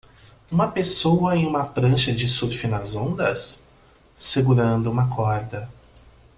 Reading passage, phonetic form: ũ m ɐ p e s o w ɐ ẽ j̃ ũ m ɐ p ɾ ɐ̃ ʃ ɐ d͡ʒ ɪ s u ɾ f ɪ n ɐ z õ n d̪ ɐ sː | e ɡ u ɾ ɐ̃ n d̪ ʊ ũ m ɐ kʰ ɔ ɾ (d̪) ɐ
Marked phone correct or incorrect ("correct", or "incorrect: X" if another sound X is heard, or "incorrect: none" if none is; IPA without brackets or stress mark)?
correct